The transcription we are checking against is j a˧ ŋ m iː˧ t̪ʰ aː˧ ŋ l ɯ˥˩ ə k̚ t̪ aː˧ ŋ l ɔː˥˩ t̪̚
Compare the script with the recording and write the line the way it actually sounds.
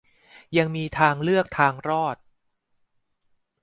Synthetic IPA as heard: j a˧ ŋ m iː˧ t̪ʰ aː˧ ŋ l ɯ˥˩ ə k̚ t̪ʰ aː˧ ŋ ɾ ɔː˥˩ t̪̚